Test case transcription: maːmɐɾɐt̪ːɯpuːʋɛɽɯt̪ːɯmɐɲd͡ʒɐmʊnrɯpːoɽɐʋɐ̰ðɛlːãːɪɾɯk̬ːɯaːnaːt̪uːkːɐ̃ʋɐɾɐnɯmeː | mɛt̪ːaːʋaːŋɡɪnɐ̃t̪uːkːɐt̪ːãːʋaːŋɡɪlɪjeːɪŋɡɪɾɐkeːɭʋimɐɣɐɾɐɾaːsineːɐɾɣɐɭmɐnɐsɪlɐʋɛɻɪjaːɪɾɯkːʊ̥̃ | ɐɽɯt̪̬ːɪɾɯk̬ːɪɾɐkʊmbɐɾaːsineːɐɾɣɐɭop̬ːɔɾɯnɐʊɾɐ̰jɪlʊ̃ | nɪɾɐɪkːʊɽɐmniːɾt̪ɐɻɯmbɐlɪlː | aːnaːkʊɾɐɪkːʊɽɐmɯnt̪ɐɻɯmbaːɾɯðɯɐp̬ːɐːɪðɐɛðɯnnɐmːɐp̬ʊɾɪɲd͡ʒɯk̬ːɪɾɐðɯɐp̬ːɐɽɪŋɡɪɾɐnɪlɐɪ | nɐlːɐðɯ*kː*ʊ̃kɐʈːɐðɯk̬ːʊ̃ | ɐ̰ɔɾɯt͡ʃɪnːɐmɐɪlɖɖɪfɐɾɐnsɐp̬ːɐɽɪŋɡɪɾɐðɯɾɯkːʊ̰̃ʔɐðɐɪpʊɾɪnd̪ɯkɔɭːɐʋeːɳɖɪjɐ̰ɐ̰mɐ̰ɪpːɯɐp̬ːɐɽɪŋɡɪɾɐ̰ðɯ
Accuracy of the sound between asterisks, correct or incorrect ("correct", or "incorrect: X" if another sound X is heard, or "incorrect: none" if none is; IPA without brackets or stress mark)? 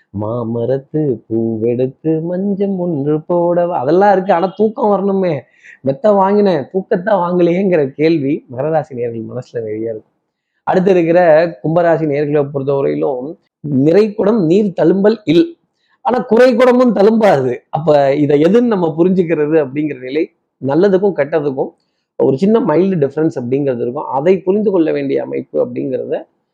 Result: correct